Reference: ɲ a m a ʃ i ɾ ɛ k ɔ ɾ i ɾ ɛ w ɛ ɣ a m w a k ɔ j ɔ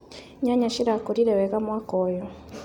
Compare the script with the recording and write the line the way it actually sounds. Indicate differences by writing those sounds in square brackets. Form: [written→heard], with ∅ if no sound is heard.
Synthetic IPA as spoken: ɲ a [m→ɲ] a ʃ i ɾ [ɛ→a] k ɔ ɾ i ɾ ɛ w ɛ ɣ a m w a k ɔ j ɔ